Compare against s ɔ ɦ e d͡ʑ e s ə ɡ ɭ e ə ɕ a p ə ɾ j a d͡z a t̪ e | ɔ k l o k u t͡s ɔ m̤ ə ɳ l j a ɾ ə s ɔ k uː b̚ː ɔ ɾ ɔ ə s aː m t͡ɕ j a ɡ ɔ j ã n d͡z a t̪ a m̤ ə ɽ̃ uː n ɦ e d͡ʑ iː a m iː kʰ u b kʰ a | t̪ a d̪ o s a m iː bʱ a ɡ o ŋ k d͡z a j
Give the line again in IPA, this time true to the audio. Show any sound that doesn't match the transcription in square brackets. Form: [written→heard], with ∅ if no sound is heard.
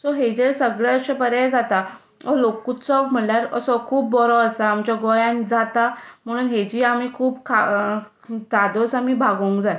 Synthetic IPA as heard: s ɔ ɦ e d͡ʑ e s ə ɡ ɭ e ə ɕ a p ə ɾ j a d͡z a t̪ [e→a] | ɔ [k→∅] l o k u t͡s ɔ m̤ ə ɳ l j a ɾ ə s ɔ [k→kʰ] uː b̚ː ɔ ɾ ɔ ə s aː m t͡ɕ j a ɡ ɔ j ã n d͡z a t̪ a m̤ ə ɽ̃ uː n ɦ e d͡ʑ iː a m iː kʰ [u→uː] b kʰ a | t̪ a d̪ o s a m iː bʱ a ɡ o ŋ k d͡z a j